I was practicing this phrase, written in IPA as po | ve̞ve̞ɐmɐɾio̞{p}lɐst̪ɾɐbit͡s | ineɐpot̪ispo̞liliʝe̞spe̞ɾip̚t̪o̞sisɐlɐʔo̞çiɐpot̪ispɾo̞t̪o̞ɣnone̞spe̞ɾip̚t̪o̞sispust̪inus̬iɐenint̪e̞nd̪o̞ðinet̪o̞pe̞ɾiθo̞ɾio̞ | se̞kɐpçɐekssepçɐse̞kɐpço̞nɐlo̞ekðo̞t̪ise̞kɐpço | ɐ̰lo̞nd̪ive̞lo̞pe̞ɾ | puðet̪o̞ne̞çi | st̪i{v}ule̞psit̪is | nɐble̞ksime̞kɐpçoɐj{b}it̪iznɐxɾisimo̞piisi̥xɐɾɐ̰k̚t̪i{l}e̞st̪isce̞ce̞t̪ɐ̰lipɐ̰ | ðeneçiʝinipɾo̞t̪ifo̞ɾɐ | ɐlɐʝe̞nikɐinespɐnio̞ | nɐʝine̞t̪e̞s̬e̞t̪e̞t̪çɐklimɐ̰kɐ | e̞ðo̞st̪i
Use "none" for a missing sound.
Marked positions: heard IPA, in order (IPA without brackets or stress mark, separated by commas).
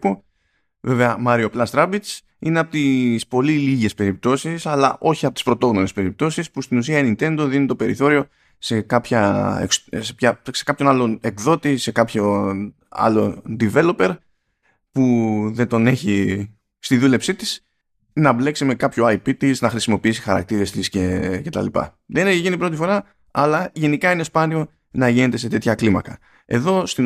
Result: p, ð, p, ɾ